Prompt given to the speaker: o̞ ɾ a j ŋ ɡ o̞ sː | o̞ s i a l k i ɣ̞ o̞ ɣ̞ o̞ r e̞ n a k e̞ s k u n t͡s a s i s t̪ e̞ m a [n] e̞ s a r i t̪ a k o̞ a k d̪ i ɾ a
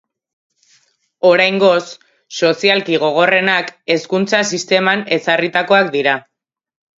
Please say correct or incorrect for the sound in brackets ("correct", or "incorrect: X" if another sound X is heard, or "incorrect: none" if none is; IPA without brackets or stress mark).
correct